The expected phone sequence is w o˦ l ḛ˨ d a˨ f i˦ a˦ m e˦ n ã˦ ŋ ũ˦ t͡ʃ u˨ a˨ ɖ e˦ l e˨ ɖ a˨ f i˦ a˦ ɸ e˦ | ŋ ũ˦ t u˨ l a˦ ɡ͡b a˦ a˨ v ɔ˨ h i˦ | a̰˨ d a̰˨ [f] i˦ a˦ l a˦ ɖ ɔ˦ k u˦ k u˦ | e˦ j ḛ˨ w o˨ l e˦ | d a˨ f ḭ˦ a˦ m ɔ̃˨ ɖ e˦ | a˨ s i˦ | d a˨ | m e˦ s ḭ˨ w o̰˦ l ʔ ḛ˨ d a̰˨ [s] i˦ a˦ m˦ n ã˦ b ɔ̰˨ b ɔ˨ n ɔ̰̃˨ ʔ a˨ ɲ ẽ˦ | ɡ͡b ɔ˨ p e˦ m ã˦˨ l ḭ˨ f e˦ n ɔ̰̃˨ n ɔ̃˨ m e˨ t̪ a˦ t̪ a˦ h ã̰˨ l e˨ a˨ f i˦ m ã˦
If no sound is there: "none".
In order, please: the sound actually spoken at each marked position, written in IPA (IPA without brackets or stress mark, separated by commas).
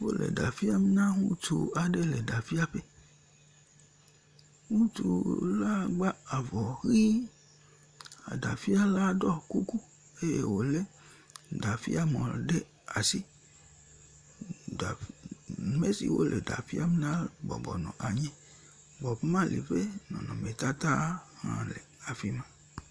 f, f